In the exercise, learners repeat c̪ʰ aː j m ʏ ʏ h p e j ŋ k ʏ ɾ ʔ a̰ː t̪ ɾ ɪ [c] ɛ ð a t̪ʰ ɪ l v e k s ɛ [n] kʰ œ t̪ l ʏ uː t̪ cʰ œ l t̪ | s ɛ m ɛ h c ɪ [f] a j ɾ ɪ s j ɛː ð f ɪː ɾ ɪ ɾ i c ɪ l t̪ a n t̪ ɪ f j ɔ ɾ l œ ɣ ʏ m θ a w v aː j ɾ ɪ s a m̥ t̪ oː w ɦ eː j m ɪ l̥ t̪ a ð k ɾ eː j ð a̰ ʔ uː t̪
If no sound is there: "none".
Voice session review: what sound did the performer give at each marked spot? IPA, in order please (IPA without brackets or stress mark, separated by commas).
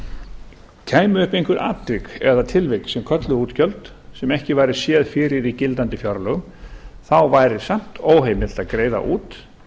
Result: k, m, v